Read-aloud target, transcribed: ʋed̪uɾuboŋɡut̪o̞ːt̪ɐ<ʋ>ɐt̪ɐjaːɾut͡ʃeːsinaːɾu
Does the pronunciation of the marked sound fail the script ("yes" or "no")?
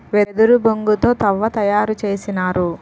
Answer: yes